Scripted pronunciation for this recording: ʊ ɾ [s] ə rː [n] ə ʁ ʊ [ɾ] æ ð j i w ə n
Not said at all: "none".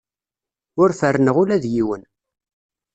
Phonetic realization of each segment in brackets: f, n, l

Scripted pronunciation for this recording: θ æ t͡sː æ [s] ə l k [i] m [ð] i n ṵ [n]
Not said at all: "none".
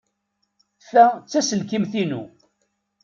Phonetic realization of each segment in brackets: s, i, θ, none

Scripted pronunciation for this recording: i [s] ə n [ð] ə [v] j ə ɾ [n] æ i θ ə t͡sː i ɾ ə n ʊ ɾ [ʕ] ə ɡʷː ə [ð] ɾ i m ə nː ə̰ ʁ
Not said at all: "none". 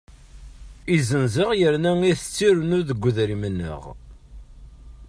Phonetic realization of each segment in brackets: z, z, ʁ, n, ð, ð

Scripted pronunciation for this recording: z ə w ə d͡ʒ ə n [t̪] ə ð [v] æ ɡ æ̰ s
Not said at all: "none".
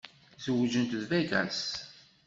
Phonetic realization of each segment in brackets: t̪, v

